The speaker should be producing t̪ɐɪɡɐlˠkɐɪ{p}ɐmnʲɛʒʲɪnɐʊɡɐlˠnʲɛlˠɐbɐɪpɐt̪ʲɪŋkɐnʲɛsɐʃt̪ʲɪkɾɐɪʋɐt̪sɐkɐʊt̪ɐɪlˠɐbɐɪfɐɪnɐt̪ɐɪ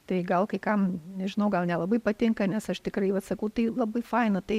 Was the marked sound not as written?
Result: yes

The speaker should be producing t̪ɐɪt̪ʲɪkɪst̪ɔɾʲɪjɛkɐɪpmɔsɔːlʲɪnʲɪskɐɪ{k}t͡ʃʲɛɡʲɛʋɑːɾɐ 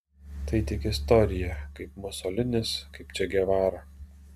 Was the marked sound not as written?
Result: yes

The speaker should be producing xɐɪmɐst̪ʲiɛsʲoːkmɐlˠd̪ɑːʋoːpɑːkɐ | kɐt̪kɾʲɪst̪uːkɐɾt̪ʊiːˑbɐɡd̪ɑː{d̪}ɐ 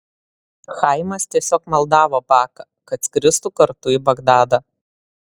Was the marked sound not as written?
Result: no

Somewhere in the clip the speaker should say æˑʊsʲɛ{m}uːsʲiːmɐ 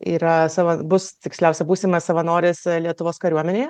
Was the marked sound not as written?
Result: yes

